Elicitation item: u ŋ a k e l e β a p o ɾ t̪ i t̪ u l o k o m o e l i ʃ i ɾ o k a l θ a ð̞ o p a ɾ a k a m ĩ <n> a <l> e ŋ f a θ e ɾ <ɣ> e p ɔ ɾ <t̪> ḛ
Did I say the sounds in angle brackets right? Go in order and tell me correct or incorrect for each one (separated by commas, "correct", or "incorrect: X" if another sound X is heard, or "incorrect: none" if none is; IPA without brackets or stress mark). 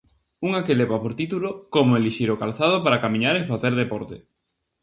incorrect: ɲ, incorrect: ɾ, incorrect: ð, correct